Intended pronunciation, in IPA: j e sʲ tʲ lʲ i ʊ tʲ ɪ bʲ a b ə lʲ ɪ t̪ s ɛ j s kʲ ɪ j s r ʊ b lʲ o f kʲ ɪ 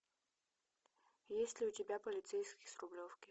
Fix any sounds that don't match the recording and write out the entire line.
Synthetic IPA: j e sʲ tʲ lʲ ɪ ʊ tʲ ɪ bʲ a p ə lʲ ɪ t̪ s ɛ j s kʲ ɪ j s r ʊ b lʲ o f kʲ ɪ